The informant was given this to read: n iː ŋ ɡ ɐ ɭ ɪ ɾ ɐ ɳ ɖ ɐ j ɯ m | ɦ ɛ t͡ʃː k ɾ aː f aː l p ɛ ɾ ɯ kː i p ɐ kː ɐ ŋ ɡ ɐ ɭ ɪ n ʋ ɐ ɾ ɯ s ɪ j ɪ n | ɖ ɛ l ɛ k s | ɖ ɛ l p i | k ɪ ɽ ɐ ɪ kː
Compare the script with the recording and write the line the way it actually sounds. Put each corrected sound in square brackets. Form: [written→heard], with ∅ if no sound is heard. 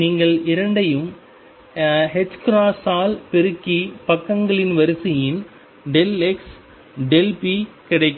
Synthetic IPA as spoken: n iː ŋ ɡ ɐ ɭ ɪ ɾ ɐ ɳ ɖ ɐ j ɯ m | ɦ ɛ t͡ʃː k ɾ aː [f→s] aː l p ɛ ɾ ɯ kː i p ɐ kː ɐ ŋ ɡ ɐ ɭ ɪ n ʋ ɐ ɾ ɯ s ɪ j ɪ n | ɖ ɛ l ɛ k s | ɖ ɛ l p i | k ɪ ɽ ɐ ɪ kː